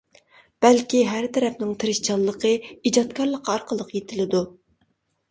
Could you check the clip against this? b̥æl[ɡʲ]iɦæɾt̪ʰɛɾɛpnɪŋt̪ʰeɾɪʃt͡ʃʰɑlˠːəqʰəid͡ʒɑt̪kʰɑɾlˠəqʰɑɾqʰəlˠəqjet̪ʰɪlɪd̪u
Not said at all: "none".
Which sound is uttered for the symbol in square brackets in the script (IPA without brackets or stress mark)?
kʲ